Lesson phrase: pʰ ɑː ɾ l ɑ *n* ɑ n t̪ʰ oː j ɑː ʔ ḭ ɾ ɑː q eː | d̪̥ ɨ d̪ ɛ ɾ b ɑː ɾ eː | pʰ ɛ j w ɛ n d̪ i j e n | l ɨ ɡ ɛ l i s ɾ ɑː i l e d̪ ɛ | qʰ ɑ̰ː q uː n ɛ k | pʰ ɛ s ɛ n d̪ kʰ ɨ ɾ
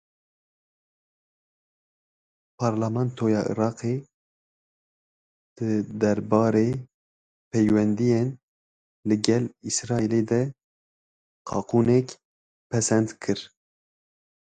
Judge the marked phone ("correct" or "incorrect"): incorrect